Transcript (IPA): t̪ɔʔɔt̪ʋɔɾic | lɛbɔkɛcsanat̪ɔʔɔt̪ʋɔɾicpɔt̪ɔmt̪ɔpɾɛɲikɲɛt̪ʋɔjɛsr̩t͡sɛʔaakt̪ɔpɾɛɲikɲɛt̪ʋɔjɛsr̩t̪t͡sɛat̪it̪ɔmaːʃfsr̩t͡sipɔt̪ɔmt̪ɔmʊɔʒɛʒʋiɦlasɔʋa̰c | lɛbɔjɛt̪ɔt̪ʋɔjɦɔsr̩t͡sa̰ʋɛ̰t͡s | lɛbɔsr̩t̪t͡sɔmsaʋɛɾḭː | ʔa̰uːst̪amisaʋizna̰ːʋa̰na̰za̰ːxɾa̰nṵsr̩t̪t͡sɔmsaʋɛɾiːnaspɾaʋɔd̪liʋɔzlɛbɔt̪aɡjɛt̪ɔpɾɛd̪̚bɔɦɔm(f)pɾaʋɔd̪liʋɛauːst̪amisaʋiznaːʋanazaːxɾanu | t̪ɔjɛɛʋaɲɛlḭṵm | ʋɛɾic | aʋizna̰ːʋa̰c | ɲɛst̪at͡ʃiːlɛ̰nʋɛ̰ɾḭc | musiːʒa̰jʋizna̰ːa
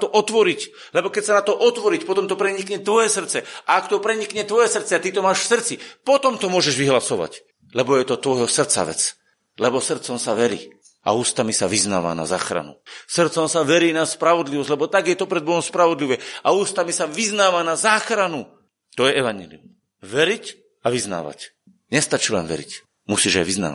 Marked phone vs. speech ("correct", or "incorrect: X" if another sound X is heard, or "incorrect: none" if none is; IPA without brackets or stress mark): incorrect: s